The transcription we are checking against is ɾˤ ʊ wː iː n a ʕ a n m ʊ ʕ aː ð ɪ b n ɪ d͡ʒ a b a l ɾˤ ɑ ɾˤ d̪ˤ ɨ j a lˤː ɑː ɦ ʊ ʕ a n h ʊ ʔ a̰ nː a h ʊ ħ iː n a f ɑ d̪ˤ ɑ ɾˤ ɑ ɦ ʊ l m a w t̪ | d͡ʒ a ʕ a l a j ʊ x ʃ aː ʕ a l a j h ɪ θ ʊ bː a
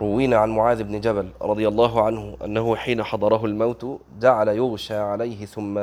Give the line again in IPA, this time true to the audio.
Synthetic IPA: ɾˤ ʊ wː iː n a ʕ a n m ʊ ʕ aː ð ɪ b n ɪ d͡ʒ a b a l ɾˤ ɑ d̪ˤ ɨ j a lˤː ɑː ɦ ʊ ʕ a n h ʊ ʔ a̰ nː a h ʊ ħ iː n a ħ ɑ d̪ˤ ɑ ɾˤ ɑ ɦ ʊ l m a w t̪ | d͡ʒ a ʕ a l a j ʊ ɣ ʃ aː ʕ a l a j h ɪ θ ʊ mː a